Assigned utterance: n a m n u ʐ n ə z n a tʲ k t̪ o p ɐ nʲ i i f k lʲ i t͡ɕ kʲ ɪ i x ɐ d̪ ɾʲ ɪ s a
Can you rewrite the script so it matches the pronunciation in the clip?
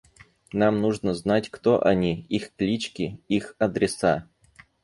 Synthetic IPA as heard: n a m n u ʐ n ə z n a tʲ k t̪ o ʔ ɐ nʲ i i x k lʲ i t͡ɕ kʲ ɪ i x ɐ d̪ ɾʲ ɪ s a